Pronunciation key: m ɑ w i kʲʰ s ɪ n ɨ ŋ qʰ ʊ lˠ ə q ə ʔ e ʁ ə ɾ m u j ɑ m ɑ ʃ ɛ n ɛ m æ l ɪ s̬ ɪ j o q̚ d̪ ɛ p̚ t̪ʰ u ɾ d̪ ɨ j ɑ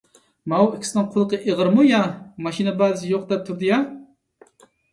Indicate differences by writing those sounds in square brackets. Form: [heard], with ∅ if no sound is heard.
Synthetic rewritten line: m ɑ w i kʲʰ s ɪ n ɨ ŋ qʰ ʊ lˠ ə q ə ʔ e ʁ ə ɾ m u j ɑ m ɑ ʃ [i] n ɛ [b] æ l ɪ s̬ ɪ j o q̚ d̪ ɛ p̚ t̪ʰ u ɾ d̪ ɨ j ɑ